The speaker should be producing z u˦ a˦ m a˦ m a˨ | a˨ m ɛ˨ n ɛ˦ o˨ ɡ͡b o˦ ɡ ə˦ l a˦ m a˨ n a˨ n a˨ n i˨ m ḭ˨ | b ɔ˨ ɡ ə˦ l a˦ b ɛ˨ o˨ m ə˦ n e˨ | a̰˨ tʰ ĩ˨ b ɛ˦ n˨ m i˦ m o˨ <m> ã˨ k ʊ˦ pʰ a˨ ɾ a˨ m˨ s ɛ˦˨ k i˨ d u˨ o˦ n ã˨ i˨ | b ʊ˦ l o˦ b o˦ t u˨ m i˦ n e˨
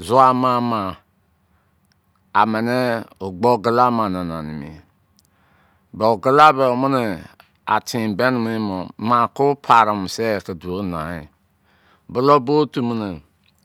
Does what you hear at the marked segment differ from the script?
no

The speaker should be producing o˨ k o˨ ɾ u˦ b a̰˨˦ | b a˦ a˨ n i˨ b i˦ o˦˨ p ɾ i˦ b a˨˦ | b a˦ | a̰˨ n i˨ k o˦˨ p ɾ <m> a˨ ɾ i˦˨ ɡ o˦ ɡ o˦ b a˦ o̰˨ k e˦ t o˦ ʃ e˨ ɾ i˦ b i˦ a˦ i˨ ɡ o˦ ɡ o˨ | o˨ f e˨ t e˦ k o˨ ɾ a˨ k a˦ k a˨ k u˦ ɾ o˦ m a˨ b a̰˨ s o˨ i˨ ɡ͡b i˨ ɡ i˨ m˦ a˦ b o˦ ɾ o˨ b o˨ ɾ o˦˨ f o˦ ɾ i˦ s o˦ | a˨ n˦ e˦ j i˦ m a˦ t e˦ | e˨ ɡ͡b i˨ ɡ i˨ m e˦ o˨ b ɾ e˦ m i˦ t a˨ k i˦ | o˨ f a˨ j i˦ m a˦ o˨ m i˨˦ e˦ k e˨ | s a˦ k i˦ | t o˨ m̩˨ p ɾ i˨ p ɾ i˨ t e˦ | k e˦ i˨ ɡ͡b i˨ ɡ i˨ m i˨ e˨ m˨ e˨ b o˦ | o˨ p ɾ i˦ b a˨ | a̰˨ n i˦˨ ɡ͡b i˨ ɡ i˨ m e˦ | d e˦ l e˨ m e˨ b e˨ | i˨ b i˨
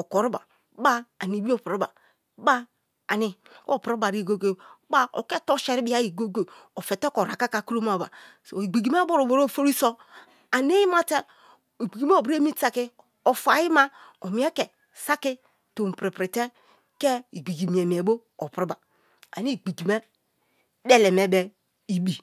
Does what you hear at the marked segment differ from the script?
yes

